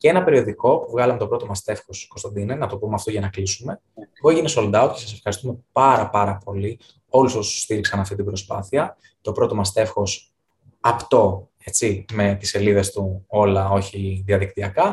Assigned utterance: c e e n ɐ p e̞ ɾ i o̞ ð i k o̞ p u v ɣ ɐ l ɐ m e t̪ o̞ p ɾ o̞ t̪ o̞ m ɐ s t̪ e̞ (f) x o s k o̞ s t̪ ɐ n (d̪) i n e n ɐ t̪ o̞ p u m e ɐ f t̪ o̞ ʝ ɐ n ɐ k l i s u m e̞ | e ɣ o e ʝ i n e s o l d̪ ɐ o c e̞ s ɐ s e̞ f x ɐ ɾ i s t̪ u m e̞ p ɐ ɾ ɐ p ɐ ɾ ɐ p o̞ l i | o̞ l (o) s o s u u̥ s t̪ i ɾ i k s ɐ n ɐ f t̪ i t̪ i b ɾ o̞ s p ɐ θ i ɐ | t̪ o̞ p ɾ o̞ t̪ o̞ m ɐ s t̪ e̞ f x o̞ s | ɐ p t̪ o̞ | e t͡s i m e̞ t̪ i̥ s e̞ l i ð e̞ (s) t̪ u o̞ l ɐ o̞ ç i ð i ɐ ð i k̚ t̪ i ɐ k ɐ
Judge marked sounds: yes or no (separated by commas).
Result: yes, yes, no, yes